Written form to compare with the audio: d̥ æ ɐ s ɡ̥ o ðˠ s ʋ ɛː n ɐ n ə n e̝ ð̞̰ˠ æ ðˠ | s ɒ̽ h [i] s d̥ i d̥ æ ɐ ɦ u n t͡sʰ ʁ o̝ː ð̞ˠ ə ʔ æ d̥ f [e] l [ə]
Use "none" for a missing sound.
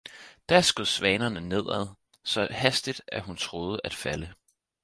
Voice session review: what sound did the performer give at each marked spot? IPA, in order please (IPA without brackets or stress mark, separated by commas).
æ, æ, ə